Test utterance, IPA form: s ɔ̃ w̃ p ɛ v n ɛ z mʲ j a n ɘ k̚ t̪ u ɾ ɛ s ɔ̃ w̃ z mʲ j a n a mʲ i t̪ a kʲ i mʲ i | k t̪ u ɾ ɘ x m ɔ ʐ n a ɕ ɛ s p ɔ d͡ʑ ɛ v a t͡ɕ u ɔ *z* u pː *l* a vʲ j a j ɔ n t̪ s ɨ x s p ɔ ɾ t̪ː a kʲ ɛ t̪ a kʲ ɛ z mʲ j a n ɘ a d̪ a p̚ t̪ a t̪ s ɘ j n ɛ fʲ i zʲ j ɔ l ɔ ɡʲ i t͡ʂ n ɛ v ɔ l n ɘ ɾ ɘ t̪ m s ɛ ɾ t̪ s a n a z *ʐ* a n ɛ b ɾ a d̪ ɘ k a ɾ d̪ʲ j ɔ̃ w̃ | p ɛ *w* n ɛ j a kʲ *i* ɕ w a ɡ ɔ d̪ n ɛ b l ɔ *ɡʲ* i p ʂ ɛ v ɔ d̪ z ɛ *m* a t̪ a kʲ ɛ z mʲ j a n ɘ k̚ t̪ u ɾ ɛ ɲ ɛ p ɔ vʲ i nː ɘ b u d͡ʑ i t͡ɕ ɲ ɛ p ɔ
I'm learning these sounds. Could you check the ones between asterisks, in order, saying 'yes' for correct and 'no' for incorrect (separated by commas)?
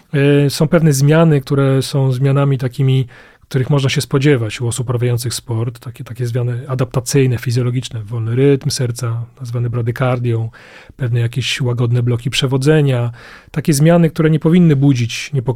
no, no, no, no, no, no, no